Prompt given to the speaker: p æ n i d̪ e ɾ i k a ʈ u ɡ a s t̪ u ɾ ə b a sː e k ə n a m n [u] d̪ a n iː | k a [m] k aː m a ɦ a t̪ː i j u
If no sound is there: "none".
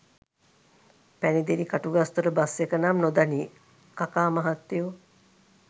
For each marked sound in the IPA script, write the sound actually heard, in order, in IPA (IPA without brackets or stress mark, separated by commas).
o, none